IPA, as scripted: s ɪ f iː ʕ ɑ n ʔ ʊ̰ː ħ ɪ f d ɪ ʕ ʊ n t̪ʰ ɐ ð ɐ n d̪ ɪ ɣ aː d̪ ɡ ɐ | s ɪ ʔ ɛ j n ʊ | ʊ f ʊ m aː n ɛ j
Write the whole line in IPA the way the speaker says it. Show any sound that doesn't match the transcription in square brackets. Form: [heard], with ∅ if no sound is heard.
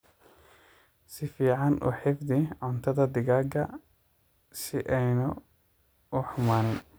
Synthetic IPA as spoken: s ɪ f iː ʕ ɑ n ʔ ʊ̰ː ħ ɪ f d ɪ ʕ ʊ n t̪ʰ ɐ ð ɐ [∅] d̪ ɪ ɣ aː [∅] ɡ ɐ | s ɪ ʔ ɛ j n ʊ | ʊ [ħ] ʊ m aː n ɛ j